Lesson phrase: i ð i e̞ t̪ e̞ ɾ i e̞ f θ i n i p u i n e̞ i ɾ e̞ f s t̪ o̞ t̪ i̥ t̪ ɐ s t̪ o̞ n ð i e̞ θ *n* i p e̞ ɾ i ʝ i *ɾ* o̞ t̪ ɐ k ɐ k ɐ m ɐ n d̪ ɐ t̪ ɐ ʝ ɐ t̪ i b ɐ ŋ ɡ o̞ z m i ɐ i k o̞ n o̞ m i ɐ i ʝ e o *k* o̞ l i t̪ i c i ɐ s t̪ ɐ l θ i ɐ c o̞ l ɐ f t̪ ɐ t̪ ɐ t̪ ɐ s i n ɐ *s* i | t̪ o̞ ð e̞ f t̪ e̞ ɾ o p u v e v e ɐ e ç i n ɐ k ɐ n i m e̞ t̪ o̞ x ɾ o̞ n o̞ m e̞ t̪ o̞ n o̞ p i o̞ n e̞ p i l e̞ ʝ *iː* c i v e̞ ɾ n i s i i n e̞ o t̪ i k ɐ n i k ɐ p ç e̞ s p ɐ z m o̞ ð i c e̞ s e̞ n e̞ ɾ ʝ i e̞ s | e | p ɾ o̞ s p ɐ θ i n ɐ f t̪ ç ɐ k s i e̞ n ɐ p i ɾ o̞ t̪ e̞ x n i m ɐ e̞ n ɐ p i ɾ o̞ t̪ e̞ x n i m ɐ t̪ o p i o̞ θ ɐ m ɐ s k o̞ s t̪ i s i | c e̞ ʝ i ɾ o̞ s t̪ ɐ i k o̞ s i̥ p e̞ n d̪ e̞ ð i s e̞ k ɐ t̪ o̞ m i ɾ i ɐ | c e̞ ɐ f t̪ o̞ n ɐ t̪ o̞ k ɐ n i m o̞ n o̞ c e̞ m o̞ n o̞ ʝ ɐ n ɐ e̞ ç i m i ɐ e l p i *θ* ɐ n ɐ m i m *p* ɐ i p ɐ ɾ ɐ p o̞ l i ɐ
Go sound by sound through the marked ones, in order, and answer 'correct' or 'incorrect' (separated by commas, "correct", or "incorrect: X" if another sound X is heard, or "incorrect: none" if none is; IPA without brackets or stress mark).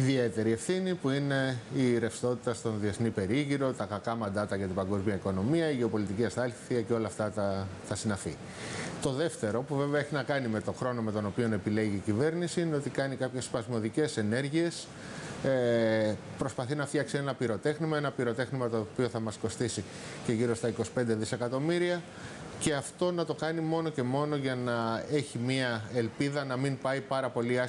correct, correct, incorrect: p, incorrect: f, correct, incorrect: ð, correct